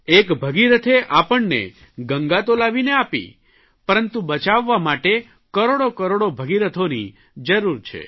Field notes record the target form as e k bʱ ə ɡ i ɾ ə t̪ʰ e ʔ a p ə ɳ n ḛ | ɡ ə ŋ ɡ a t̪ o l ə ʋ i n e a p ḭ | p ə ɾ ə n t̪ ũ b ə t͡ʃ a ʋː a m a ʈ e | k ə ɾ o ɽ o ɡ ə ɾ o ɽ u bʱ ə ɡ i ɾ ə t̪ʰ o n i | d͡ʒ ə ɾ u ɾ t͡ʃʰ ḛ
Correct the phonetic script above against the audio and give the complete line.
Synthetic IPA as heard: e k bʱ ə ɡ i ɾ ə t̪ʰ e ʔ a p ə ɳ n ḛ | ɡ ə ŋ ɡ a t̪ o l a ʋ i n e a p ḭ | p ə ɾ ə n t̪ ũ b ə t͡ʃ a ʋː a m a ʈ e | k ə ɾ o ɽ o k ə ɾ o ɽ o bʱ ə ɡ i ɾ ə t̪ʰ o n i | d͡ʒ ə ɾ u ɾ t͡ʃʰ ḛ